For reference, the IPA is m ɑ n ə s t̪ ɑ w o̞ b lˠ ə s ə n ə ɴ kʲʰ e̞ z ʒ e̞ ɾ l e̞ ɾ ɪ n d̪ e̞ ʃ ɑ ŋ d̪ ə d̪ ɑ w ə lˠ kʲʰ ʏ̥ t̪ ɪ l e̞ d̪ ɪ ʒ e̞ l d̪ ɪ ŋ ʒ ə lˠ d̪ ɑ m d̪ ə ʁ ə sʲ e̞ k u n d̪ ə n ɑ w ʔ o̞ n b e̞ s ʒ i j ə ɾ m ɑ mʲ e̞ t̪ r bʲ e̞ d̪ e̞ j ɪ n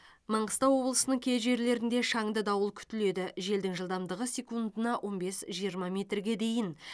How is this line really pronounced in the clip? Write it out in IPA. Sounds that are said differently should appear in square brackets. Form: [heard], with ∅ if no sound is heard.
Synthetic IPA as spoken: m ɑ [ɴ] ə s t̪ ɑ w o̞ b lˠ ə s ə n ə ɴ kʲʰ e̞ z ʒ e̞ ɾ l e̞ ɾ ɪ n d̪ e̞ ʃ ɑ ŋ d̪ ə d̪ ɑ w ə lˠ kʲʰ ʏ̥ t̪ ɪ l e̞ d̪ ɪ ʒ e̞ l d̪ ɪ ŋ ʒ ə lˠ d̪ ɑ m d̪ ə ʁ ə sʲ e̞ k u n d̪ ə n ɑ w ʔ o̞ n b e̞ s ʒ i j ə ɾ m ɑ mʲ e̞ t̪ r [ɡʲ] e̞ d̪ e̞ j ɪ n